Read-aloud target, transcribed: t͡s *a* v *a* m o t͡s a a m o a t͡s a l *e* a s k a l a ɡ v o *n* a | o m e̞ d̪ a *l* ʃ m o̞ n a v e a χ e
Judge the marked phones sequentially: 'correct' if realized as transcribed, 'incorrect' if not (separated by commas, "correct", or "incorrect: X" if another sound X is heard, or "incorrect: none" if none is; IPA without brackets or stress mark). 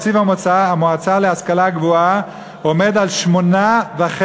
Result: incorrect: i, correct, correct, incorrect: none, correct